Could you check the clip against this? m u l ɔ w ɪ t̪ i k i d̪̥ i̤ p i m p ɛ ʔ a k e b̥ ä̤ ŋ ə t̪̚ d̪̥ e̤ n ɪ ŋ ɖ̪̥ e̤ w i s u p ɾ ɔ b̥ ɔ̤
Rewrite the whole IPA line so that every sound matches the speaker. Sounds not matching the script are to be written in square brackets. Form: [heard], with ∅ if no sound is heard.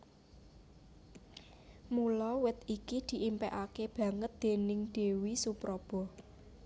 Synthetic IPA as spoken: m u l ɔ w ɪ t̪ i k i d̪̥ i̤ [ʔ] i m p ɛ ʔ a k e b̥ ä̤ ŋ ə t̪̚ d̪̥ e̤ n ɪ ŋ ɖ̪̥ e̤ w i s u p ɾ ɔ b̥ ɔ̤